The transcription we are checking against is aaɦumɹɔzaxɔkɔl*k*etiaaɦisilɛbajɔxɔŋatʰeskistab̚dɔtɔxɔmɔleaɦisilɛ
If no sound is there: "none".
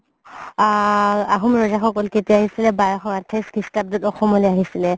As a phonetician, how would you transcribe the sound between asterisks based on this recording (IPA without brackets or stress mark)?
k